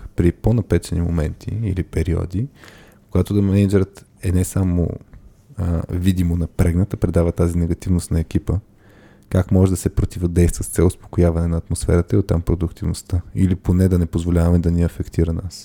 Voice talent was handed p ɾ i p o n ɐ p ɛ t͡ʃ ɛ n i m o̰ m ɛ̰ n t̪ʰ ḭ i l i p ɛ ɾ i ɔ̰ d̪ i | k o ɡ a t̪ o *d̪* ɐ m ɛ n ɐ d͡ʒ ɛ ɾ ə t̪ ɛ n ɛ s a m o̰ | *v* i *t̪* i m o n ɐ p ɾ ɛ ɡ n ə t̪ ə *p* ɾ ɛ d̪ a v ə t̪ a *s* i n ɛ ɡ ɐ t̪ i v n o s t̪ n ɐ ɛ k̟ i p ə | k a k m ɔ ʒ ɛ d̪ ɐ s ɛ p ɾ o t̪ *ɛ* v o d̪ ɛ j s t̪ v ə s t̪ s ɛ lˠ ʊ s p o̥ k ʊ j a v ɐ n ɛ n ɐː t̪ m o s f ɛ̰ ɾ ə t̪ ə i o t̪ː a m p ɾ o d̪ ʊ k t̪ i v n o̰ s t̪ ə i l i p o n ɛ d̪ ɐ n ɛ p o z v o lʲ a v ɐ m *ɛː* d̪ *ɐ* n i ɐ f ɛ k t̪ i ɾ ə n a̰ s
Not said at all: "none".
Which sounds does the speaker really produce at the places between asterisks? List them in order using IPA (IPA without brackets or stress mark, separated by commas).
d̪, v, d̪, p, z, i, ɛ, ɐ